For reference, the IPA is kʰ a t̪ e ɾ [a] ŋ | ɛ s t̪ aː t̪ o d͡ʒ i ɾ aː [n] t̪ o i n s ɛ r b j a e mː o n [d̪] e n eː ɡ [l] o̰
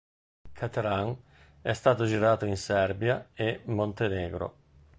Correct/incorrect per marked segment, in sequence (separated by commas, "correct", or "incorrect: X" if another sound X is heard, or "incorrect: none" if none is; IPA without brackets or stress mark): correct, incorrect: none, incorrect: t̪, incorrect: ɾ